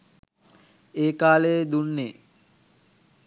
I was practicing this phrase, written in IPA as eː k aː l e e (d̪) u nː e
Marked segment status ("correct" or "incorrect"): correct